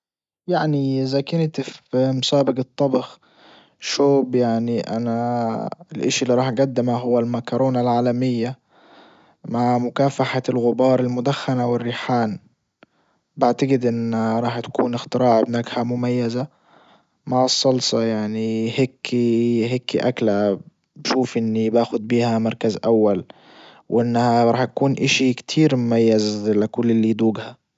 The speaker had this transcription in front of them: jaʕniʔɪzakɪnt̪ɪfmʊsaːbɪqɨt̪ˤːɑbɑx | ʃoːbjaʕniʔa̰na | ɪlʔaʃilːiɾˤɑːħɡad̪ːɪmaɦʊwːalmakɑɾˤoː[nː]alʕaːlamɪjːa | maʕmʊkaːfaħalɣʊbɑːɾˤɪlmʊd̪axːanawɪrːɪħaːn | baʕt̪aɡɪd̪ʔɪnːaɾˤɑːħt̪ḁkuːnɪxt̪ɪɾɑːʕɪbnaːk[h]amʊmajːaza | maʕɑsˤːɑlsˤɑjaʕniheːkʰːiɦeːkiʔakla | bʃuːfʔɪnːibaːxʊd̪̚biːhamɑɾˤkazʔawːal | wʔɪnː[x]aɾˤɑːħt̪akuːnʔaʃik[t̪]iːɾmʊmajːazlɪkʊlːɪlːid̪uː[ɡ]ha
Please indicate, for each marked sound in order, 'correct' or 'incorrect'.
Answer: incorrect, correct, incorrect, incorrect, correct

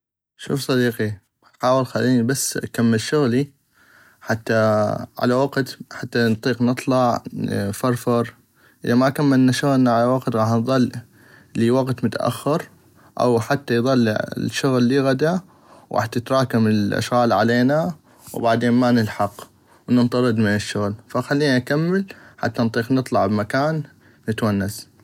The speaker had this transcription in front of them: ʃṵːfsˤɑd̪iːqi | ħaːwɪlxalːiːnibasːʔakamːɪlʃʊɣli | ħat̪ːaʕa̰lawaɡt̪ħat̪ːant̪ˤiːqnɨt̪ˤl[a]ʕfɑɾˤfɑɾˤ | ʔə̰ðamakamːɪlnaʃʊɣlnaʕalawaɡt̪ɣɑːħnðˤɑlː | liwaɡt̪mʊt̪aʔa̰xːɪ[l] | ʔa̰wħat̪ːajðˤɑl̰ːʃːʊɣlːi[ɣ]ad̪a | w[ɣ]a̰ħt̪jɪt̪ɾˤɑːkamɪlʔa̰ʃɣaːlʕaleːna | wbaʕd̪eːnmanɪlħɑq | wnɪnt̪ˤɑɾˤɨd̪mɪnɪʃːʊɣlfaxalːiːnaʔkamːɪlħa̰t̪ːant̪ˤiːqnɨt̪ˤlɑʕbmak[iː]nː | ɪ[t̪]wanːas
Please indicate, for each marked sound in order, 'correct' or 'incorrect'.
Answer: incorrect, incorrect, correct, correct, incorrect, correct

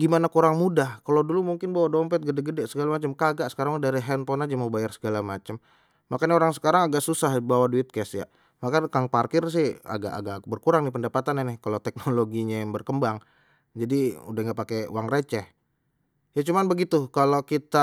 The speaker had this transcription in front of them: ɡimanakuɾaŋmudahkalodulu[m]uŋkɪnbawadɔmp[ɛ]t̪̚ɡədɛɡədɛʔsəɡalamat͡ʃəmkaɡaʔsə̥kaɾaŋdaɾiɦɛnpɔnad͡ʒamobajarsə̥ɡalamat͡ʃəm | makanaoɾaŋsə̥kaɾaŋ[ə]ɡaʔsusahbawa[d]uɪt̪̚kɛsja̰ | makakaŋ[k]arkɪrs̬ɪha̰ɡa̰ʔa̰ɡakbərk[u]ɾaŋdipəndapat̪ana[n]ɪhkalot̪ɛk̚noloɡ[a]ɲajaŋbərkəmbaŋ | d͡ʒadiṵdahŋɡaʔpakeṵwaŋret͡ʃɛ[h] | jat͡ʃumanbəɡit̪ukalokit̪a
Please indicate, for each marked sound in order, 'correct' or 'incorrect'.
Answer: correct, correct, incorrect, correct, incorrect, correct, correct, incorrect, correct

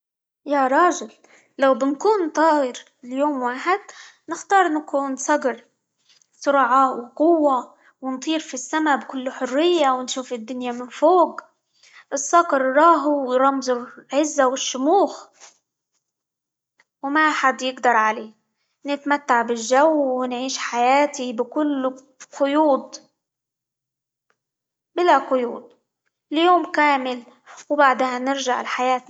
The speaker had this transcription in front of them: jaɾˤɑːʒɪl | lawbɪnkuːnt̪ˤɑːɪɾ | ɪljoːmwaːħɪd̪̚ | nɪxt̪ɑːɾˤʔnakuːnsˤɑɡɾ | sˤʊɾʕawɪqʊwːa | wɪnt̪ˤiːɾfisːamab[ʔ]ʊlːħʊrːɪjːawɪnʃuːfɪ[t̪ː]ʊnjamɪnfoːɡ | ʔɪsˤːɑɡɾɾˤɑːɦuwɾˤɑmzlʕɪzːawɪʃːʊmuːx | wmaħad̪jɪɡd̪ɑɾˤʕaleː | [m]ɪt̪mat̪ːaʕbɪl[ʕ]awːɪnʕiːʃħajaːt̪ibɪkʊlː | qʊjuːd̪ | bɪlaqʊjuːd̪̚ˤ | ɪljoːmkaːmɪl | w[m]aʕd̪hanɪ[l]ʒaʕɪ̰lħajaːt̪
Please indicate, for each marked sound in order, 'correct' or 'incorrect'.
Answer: incorrect, incorrect, incorrect, incorrect, incorrect, incorrect

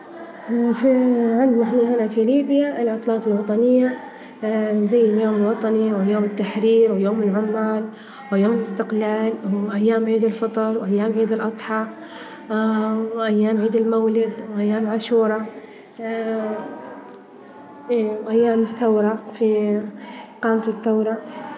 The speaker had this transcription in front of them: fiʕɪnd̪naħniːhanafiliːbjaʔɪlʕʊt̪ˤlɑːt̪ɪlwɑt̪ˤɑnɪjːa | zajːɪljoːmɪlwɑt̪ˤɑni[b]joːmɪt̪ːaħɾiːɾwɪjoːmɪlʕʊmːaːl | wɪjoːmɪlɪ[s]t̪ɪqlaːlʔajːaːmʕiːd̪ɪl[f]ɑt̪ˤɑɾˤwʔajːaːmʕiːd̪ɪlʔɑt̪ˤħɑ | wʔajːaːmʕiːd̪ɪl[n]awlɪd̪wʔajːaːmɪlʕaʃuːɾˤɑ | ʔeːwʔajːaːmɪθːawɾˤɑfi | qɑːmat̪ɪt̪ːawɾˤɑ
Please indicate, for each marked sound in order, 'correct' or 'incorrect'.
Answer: incorrect, correct, correct, incorrect

